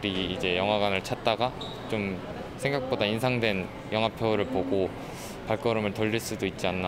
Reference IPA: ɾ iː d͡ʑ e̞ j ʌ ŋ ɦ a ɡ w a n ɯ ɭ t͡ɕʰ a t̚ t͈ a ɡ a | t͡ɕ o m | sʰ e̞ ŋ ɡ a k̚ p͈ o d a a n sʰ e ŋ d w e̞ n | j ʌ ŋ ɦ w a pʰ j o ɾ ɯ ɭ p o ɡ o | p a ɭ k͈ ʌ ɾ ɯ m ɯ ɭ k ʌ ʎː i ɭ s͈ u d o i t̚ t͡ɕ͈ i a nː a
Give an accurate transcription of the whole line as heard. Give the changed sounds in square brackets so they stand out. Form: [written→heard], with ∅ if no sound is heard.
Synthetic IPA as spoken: ɾ iː d͡ʑ e̞ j ʌ ŋ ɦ a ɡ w a n ɯ ɭ t͡ɕʰ a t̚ t͈ a ɡ a | t͡ɕ o m | sʰ e̞ ŋ ɡ a k̚ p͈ o d a [a→i] n sʰ [e→a] ŋ d w e̞ n | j ʌ ŋ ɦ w a pʰ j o ɾ ɯ ɭ p o ɡ o | p a ɭ k͈ ʌ ɾ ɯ m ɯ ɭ [k→t] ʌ ʎː i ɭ s͈ u d o i t̚ t͡ɕ͈ i a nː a